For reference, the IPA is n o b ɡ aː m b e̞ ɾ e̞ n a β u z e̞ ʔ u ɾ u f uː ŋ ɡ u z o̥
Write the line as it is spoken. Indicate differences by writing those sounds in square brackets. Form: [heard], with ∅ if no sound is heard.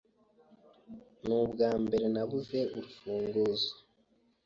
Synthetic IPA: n [u] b ɡ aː m b e̞ ɾ e̞ n a β u z e̞ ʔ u ɾ u f uː ŋ ɡ u z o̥